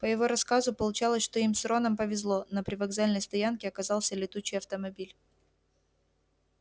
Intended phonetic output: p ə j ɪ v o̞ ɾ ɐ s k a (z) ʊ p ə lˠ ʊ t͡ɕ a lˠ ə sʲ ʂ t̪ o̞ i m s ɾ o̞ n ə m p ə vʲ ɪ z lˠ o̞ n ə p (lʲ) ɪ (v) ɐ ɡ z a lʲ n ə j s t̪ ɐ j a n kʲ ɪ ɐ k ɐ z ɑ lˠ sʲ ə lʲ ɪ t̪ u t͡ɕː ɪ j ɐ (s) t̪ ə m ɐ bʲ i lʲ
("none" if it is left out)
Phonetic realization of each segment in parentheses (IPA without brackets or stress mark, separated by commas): z, ɾʲ, v, f